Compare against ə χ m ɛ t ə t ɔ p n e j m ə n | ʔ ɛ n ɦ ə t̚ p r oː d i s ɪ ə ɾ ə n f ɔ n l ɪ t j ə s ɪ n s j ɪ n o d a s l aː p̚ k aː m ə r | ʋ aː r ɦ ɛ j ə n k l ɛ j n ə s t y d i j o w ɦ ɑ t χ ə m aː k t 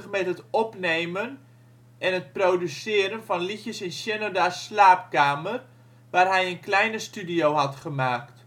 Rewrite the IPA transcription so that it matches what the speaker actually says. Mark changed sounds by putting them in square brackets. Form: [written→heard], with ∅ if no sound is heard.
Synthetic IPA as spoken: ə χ m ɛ t ə t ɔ p n e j m ə n | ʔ ɛ n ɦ ə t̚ p r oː d [i→y] s ɪ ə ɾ ə n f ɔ n l [ɪ→i] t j ə s ɪ n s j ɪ n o d a s l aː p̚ k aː m ə r | ʋ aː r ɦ ɛ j ə n k l ɛ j n ə s t y d i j o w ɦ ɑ t χ ə m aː k t